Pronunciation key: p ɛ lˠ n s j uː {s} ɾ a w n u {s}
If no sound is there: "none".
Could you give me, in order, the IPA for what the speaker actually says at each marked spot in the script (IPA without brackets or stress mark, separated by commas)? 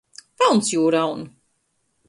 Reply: none, none